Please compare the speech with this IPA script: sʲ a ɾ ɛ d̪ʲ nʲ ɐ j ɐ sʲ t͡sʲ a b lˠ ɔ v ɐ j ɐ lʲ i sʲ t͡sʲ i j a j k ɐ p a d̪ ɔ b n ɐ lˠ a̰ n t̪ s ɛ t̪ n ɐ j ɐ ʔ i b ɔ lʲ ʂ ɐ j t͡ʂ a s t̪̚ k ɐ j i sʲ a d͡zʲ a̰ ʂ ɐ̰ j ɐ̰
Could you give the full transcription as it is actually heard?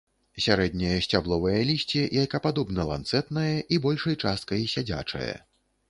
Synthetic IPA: sʲ a ɾ ɛ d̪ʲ nʲ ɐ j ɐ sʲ t͡sʲ a b lˠ ɔ v ɐ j ɐ lʲ i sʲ t͡sʲ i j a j k ɐ p a d̪ ɔ b n ɐ lˠ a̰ n t̪ s ɛ t̪ n ɐ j ɐ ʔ i b ɔ lʲ ʂ ɐ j t͡ʂ a s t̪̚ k ɐ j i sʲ a d͡zʲ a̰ t͡ʂ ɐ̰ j ɐ̰